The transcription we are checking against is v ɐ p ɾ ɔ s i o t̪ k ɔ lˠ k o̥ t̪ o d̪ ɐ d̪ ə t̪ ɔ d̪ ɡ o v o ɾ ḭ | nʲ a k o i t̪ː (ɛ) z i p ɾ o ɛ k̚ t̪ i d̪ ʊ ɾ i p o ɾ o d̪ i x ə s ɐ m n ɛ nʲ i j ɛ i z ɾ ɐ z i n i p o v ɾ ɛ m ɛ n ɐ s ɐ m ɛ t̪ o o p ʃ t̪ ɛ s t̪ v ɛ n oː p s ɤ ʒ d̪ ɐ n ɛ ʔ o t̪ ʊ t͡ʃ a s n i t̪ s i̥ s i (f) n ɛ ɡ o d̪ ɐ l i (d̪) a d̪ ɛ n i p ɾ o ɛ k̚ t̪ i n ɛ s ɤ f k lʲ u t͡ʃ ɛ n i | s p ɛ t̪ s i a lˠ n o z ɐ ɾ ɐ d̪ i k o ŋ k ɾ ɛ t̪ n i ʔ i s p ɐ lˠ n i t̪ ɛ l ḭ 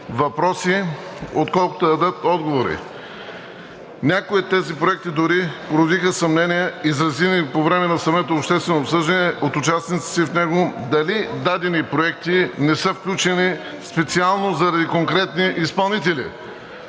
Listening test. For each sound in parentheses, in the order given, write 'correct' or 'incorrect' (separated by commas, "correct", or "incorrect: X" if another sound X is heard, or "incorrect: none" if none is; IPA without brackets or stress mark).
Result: correct, correct, correct